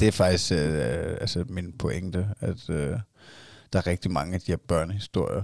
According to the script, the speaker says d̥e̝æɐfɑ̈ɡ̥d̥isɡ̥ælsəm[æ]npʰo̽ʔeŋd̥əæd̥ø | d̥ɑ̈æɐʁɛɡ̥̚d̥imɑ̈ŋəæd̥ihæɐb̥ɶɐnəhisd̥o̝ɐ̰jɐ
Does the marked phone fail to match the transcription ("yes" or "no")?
yes